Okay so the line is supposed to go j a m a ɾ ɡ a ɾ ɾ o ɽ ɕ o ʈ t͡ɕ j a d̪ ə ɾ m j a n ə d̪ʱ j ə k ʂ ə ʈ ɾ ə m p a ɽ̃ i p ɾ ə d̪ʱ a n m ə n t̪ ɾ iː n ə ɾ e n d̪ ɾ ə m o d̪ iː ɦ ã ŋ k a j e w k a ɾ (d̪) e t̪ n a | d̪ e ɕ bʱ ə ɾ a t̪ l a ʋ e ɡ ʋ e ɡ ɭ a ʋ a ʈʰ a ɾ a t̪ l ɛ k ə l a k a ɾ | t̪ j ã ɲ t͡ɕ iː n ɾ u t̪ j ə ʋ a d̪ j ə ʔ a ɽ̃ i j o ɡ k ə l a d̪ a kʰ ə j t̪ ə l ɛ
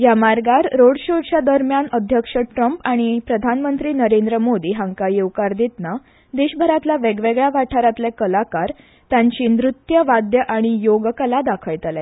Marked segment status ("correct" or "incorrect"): correct